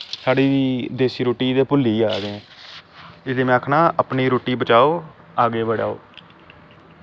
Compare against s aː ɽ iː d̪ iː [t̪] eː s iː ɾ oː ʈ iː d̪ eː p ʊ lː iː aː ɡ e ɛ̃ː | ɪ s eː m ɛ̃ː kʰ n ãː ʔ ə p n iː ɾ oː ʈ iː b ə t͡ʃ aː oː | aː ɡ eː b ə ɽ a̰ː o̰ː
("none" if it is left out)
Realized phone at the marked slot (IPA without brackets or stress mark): d̪